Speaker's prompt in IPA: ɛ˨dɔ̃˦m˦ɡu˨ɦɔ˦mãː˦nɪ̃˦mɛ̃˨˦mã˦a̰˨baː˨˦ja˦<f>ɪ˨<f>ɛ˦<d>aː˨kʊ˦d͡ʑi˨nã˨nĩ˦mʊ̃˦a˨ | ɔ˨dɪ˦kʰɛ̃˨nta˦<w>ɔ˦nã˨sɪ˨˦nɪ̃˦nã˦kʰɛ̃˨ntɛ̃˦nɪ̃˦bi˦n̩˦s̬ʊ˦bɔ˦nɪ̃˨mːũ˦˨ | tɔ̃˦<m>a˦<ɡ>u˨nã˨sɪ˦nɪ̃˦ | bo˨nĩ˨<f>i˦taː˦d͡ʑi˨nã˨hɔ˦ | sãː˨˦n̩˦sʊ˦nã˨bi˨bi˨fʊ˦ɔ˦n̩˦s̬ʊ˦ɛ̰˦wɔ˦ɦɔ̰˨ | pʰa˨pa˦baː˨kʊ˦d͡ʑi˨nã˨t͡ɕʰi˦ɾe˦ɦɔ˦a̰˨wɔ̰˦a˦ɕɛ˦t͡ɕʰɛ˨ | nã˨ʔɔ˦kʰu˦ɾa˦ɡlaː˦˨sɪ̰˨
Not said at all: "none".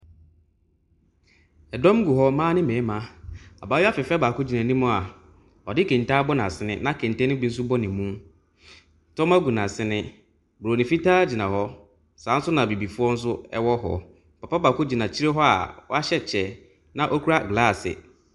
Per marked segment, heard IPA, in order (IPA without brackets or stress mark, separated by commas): f, f, b, b, m, ɡ, f